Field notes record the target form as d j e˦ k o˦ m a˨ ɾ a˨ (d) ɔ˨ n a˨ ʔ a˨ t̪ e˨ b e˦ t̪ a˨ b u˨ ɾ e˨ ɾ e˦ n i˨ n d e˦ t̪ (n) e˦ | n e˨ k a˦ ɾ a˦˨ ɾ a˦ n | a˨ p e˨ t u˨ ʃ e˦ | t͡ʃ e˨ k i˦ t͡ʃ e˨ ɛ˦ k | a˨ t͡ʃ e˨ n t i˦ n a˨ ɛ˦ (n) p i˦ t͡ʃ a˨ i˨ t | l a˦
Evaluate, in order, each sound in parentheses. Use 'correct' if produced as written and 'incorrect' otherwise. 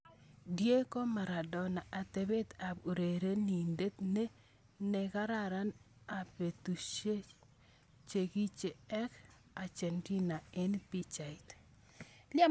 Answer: correct, correct, correct

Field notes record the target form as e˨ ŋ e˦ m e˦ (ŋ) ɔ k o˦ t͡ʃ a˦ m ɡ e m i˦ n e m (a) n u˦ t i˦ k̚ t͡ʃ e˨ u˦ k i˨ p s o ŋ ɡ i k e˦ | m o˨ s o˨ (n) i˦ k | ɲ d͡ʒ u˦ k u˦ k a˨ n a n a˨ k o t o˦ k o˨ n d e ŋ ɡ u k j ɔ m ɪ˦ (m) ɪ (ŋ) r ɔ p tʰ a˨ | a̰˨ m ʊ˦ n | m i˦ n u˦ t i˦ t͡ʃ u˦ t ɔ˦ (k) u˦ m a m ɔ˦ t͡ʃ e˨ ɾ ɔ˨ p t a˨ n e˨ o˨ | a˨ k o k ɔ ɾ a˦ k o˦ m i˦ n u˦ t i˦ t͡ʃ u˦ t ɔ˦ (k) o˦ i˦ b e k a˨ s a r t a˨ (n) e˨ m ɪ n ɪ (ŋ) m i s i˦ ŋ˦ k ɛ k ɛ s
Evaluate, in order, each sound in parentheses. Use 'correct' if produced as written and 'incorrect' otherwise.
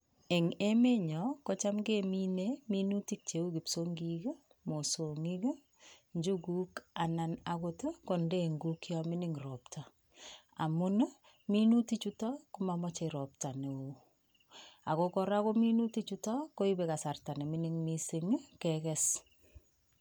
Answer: incorrect, incorrect, incorrect, incorrect, correct, correct, correct, correct, correct

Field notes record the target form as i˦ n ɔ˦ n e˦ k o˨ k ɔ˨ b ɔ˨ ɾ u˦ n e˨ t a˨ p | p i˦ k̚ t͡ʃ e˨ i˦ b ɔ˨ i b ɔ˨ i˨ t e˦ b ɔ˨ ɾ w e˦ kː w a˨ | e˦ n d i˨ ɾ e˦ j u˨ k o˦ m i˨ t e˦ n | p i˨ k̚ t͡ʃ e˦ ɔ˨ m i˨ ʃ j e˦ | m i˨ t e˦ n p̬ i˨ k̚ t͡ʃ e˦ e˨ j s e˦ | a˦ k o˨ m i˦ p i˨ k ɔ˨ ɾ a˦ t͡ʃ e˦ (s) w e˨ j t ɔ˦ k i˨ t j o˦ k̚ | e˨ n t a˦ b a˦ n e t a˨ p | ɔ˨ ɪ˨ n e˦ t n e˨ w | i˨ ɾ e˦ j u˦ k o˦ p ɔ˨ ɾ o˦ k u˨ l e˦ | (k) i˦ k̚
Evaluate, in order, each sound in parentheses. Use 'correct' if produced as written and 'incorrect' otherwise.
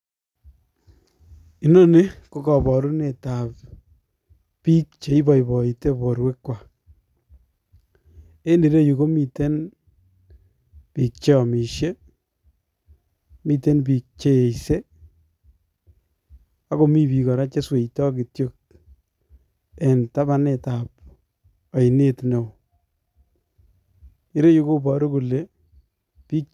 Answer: correct, incorrect

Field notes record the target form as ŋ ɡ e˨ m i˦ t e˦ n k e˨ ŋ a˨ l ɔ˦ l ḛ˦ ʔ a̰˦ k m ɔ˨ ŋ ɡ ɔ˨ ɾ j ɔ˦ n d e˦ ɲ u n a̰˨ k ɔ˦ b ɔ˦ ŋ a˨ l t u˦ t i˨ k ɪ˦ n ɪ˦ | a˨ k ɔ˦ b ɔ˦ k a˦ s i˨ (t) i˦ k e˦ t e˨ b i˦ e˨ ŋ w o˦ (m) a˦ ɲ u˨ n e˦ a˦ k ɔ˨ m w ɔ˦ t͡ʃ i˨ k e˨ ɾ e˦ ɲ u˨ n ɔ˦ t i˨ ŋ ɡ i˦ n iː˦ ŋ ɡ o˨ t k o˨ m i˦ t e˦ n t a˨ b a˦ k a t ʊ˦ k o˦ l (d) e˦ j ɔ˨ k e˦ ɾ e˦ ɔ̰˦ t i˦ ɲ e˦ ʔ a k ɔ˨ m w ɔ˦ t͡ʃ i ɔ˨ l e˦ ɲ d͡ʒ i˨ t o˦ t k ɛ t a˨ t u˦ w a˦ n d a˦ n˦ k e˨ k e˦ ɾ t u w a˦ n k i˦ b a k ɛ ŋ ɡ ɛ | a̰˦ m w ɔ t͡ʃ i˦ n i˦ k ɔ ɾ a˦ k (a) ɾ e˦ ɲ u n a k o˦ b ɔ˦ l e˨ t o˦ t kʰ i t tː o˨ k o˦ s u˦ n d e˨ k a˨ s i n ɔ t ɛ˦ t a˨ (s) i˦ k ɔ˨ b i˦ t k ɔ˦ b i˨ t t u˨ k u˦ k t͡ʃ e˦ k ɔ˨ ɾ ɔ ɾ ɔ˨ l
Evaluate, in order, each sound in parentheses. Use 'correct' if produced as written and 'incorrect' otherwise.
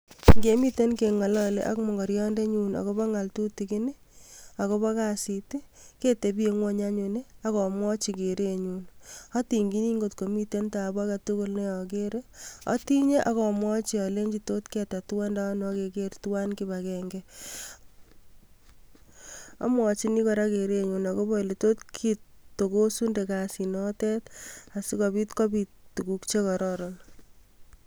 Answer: correct, incorrect, incorrect, incorrect, correct

